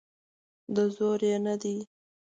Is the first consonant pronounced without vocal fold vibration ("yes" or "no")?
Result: no